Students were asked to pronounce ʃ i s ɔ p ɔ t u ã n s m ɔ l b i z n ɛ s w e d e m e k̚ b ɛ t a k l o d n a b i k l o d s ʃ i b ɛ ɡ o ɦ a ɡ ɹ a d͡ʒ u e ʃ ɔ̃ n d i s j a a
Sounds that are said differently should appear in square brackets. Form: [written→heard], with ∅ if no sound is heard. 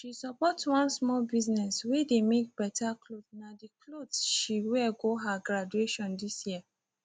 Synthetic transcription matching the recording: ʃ i s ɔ p ɔ t [u→w] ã n s m ɔ l b i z n ɛ s w e d e m e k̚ b ɛ t a k l o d n a [b→d] i k l o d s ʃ i [b→w] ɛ ɡ o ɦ a ɡ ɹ a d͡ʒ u e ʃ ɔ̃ n d i s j [a→i] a